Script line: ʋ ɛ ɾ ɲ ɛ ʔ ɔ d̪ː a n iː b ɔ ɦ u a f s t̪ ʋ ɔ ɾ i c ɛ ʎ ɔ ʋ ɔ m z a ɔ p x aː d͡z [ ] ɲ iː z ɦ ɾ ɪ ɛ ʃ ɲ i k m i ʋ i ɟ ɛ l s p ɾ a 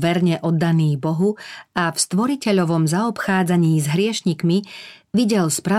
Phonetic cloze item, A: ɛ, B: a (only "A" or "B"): B